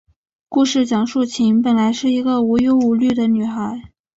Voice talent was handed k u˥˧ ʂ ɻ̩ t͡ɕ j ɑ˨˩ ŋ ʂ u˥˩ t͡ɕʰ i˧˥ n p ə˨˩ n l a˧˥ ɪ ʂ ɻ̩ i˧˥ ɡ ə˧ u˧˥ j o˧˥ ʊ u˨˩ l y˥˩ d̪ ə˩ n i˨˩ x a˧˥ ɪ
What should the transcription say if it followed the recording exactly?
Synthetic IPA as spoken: k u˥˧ ʂ ɻ̩ t͡ɕ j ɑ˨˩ ŋ ʂ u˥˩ t͡ɕʰ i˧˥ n p ə˨˩ n l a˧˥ ɪ ʂ ɻ̩ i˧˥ ɡ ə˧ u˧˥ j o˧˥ ʊ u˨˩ l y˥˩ d̪ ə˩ n y˨˩ x a˧˥ ɪ